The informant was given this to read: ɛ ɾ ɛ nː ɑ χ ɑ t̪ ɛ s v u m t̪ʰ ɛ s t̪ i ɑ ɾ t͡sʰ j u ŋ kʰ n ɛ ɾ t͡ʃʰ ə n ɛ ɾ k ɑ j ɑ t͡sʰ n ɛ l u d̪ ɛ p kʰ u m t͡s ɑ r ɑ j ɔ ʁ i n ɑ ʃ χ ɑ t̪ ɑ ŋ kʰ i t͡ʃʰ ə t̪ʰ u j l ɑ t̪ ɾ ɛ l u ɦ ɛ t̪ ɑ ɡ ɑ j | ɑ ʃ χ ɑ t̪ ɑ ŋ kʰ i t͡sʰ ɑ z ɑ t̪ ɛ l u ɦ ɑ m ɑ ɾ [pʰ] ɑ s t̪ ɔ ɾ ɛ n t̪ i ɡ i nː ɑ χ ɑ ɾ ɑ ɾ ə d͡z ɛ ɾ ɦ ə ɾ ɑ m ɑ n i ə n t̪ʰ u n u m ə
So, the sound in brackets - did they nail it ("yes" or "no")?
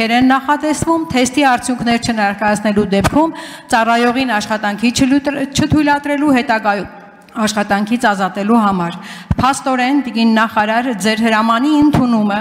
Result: yes